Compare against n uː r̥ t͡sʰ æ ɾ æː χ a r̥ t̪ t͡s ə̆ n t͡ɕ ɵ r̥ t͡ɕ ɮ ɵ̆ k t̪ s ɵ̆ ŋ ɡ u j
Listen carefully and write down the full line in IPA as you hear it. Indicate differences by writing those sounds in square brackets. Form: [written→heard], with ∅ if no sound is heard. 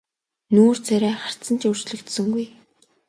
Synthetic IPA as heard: n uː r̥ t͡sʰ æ ɾ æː χ a r̥ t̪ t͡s ə̆ n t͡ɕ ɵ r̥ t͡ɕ ɮ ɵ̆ k t̪ s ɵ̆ ŋ ɡ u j